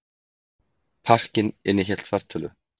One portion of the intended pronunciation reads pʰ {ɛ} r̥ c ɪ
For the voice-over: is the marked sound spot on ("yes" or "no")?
no